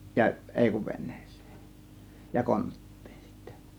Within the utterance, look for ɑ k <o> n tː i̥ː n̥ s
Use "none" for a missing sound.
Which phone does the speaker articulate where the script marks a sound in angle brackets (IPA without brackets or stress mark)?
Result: o